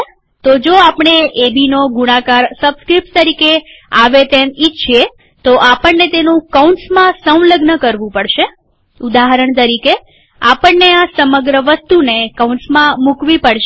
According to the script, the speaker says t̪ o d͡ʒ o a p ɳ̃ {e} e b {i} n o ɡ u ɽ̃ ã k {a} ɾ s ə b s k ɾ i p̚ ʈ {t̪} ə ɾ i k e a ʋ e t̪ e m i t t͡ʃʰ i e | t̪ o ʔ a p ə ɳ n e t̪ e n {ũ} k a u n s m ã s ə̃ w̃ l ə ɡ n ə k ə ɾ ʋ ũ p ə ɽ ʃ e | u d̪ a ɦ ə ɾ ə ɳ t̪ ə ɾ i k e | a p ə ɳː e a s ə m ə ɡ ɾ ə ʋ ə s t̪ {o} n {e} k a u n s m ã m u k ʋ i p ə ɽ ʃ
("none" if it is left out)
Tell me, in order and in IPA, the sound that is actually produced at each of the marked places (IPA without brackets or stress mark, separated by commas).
e, i, a, t̪, ũ, u, e